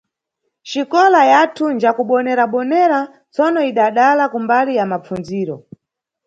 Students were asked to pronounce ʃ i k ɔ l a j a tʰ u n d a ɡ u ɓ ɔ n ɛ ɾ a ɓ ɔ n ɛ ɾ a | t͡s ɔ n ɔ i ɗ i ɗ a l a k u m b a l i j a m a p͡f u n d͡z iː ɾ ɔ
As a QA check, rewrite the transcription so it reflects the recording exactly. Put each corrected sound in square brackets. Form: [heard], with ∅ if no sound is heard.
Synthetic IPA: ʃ i k ɔ l a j a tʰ u n [d͡ʒ] a [k] u ɓ ɔ n ɛ ɾ a ɓ ɔ n ɛ ɾ a | t͡s ɔ n ɔ i ɗ [a] ɗ a l a k u m b a l i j a m a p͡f u n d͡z iː ɾ ɔ